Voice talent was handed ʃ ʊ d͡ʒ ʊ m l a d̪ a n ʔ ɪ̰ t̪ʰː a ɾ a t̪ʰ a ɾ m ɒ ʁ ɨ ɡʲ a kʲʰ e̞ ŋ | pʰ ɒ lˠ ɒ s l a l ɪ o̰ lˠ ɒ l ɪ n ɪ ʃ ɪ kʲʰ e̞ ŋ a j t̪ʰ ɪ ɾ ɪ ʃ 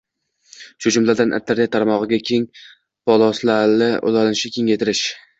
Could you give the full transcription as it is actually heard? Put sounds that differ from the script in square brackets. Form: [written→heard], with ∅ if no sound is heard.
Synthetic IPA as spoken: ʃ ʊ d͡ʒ ʊ m l a d̪ a n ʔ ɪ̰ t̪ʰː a ɾ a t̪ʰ a ɾ m ɒ ʁ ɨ ɡʲ a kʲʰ e̞ ŋ | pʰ ɒ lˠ ɒ s l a l ɪ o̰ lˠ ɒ l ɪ n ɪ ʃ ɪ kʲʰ e̞ ŋ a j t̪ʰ ɪ ɾ ɪ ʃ